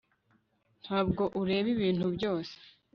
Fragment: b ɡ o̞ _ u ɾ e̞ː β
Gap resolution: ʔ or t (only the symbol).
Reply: ʔ